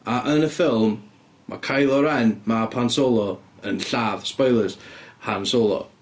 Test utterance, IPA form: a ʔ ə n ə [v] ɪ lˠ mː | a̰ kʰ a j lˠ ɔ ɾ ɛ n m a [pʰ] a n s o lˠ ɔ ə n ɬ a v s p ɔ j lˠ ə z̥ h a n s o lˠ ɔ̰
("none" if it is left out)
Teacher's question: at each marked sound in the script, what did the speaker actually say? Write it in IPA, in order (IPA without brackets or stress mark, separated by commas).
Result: f, pʰ